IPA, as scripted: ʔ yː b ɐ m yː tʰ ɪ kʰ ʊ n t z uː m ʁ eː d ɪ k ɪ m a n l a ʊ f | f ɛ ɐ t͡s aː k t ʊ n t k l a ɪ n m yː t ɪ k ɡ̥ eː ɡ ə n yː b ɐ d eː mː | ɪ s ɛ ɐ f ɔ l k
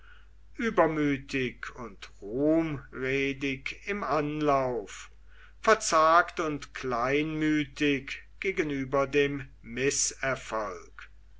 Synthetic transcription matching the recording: ʔ yː b ɐ m yː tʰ ɪ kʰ ʊ n t ʁ uː m ʁ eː d ɪ k ɪ m a n l a ʊ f | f ɛ ɐ t͡s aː k t ʊ n t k l a ɪ n m yː t ɪ k ɡ̥ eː ɡ ə n yː b ɐ d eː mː | ɪ s ɛ ɐ f ɔ l k

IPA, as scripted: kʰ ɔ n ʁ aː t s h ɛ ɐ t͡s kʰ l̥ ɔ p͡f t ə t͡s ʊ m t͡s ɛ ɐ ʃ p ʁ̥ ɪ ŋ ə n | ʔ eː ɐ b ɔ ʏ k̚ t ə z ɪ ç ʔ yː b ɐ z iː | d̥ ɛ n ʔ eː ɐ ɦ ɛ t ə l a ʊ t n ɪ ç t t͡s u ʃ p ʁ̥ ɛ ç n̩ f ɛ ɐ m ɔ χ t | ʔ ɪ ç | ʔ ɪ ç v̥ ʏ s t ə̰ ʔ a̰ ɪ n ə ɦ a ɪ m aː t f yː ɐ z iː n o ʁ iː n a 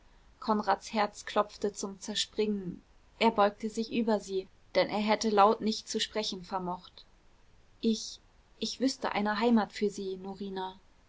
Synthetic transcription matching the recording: kʰ ɔ n ʁ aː t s h ɛ ɐ t͡s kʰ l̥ ɔ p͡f t ə t͡s ʊ m t͡s ɛ ɐ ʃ p ʁ̥ ɪ ŋ ə n | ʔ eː ɐ b ɔ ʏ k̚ t ə z ɪ ç ʔ yː b ɐ z iː | d̥ ɛ n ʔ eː ɐ ɦ ɛ t ə l a ʊ t n ɪ ç t t͡s u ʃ p ʁ̥ ɛ ç n̩ f ɛ ɐ m ɔ χ t | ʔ ɪ ç | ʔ ɪ ç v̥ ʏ s t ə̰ ʔ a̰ ɪ n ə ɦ a ɪ m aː t f yː ɐ z iː n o ʁ iː n a

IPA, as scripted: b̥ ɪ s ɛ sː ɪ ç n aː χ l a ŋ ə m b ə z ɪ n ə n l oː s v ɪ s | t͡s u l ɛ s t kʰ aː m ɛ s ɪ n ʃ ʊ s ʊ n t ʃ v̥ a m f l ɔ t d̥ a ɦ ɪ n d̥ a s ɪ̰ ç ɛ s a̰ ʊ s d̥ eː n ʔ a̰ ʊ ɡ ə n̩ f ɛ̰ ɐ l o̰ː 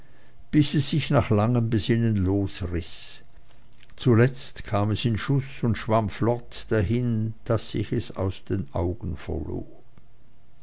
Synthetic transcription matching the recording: b̥ ɪ s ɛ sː ɪ ç n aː χ l a ŋ ə m b ə z ɪ n ə n l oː s ʁ ɪ s | t͡s u l ɛ t͡s t kʰ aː m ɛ s ɪ n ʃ ʊ s ʊ n t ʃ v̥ a m f l ɔ t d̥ a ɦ ɪ n d̥ a s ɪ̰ ç ɛ s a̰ ʊ s d̥ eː n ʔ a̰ ʊ ɡ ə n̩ f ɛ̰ ɐ l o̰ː

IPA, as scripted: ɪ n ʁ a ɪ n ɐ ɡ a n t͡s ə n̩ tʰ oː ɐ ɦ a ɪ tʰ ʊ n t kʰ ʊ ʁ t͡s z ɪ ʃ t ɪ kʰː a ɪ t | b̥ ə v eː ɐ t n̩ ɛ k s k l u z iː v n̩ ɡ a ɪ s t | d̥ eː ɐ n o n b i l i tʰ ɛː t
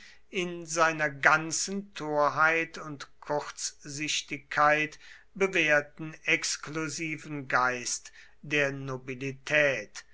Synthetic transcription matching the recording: ɪ n z a ɪ n ɐ ɡ a n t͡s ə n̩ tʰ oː ɐ ɦ a ɪ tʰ ʊ n t kʰ ʊ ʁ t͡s z ɪ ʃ t ɪ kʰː a ɪ t | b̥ ə v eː ɐ t n̩ ɛ k s k l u z iː v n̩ ɡ a ɪ s t | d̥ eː ɐ n o b i l i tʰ ɛː t

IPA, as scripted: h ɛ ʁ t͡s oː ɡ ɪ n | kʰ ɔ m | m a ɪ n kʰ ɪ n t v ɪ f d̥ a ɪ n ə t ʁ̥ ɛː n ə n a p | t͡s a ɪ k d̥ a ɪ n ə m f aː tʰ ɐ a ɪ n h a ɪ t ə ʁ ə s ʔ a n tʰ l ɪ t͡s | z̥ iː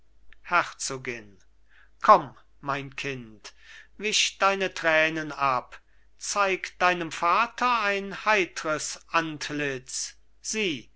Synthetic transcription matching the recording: h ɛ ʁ t͡s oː ɡ ɪ n | kʰ ɔ m | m a ɪ n kʰ ɪ n t v ɪ ʃ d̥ a ɪ n ə t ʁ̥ ɛː n ə n a p | t͡s a ɪ k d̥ a ɪ n ə m f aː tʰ ɐ a ɪ n h a ɪ t ə ʁ ə s ʔ a n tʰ l ɪ t͡s | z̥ iː

